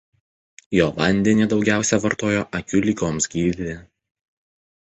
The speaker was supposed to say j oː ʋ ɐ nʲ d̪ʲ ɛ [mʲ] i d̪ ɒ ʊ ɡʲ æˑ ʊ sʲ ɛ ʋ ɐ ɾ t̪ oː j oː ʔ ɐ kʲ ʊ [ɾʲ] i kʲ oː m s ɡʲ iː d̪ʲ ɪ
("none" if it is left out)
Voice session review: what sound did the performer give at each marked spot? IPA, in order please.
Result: nʲ, lʲ

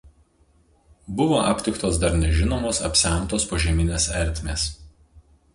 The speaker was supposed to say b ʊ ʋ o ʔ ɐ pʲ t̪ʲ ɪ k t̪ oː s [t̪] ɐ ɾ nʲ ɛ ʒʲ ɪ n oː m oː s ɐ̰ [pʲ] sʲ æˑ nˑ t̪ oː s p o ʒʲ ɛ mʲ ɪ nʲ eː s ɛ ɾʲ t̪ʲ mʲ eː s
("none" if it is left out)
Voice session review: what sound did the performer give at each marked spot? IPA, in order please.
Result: d̪, pʲ

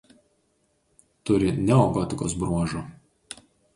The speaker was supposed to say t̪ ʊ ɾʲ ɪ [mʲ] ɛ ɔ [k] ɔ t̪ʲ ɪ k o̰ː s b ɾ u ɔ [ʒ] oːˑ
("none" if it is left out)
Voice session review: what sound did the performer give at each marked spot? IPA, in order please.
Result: nʲ, ɡ, ʒ

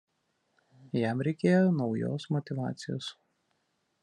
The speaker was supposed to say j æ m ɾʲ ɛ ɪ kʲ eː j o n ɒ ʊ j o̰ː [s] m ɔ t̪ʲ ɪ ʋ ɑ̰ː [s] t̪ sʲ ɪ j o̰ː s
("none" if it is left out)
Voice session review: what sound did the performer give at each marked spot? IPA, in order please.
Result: s, none

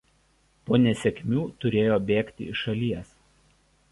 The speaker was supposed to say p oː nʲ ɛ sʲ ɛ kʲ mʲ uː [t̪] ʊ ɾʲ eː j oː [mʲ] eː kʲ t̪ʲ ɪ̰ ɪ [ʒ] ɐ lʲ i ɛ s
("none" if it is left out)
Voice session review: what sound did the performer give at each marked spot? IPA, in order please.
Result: t̪, bʲ, ʃ

